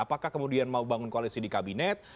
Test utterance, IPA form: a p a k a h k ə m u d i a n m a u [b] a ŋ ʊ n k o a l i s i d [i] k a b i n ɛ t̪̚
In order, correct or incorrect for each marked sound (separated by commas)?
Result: correct, correct